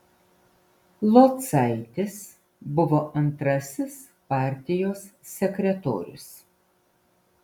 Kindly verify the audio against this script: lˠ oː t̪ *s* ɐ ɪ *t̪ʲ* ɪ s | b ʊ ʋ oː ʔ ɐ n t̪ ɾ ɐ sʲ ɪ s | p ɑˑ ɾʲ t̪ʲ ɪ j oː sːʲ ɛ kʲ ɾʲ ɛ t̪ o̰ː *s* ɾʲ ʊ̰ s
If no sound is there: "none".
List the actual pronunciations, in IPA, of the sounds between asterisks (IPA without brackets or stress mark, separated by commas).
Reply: s, t̪ʲ, none